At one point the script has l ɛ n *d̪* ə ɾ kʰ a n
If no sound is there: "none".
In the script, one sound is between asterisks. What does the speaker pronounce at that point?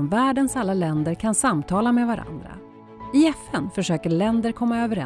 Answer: d̪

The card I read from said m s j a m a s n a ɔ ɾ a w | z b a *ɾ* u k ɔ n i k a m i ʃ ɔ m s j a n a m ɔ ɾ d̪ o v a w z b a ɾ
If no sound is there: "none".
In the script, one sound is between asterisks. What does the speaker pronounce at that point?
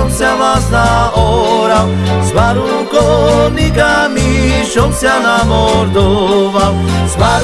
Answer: ɾ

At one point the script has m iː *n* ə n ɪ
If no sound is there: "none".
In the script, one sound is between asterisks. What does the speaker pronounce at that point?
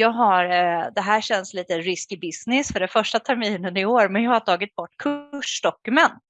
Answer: n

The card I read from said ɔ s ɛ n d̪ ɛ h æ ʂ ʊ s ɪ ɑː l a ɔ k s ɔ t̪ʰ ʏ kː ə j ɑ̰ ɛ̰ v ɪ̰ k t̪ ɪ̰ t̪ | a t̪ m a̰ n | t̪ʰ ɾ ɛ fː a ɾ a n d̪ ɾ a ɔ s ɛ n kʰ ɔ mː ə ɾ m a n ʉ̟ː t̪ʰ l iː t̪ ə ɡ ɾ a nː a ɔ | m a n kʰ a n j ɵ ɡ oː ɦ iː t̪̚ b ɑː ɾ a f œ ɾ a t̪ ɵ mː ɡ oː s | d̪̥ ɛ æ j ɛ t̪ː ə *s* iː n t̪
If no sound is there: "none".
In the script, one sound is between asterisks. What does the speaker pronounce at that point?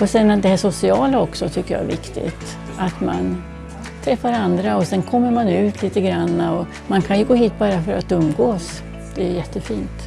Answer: f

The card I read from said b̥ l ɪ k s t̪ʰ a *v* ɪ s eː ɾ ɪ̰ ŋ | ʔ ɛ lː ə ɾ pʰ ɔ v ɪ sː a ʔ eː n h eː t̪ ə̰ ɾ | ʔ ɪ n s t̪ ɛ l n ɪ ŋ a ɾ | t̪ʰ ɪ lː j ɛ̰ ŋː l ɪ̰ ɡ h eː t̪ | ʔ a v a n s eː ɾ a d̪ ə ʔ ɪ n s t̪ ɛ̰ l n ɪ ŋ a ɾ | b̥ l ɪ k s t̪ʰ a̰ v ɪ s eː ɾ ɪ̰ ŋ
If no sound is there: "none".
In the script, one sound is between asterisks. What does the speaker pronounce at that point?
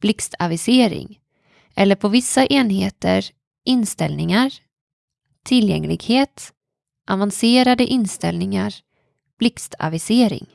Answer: v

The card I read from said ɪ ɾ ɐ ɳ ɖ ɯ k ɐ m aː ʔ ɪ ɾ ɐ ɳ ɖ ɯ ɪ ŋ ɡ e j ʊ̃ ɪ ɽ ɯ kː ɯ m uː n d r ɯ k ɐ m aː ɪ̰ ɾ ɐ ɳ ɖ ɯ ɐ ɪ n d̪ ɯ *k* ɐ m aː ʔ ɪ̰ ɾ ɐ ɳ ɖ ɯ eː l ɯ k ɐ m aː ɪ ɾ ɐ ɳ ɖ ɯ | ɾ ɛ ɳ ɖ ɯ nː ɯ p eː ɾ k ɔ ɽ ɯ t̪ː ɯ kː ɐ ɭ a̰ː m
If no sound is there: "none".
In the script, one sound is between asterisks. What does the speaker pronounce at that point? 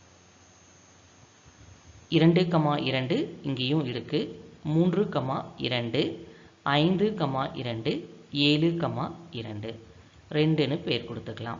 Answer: k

